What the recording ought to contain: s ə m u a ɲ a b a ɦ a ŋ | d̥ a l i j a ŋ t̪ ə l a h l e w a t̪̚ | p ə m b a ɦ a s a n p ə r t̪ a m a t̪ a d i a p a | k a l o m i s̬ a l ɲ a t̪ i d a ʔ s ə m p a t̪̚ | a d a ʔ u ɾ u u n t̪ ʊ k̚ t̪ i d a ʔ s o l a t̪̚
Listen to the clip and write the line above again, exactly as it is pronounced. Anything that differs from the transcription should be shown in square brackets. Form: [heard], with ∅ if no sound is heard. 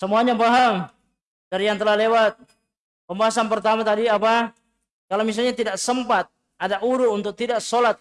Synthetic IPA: s ə m u a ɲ a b a ɦ a ŋ | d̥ a [ɾ] i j a ŋ t̪ ə l a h l e w a t̪̚ | p ə m b a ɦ a s a n p ə r t̪ a m a t̪ a d i a p a | k a l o m i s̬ a l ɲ a t̪ i d a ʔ s ə m p a t̪̚ | a d a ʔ u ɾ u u n t̪ ʊ k̚ t̪ i d a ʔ s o l a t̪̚